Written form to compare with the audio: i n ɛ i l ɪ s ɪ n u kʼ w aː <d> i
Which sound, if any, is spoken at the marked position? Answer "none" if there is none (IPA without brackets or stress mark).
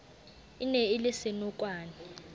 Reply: n